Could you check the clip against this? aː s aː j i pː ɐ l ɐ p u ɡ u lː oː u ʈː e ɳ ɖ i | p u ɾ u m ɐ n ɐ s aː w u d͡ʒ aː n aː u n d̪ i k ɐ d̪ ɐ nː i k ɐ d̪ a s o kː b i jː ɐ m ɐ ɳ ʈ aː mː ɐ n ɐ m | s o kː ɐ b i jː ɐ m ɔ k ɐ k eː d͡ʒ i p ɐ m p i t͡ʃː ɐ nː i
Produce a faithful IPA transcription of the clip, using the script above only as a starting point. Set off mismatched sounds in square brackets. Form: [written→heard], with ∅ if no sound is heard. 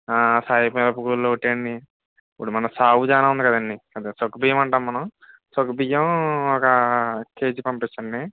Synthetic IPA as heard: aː s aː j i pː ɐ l ɐ p u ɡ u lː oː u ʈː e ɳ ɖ i | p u [ɾ→ɽ] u m ɐ n ɐ s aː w u d͡ʒ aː n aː u n d̪ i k ɐ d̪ ɐ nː i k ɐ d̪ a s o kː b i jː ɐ m ɐ ɳ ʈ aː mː ɐ n ɐ m | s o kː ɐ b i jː ɐ m ɔ k ɐ k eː d͡ʒ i p ɐ m p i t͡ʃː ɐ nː i